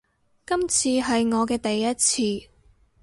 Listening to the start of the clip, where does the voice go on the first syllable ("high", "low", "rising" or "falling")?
high